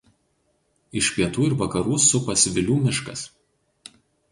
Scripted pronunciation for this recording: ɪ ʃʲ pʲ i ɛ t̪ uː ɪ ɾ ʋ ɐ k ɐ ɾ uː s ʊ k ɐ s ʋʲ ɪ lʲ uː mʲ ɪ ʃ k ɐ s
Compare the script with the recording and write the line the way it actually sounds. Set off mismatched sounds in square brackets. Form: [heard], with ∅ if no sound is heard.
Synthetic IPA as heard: ɪ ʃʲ pʲ i ɛ t̪ uː ɪ ɾ ʋ ɐ k ɐ ɾ uː s ʊ [p] ɐ s ʋʲ ɪ lʲ uː mʲ ɪ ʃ k ɐ s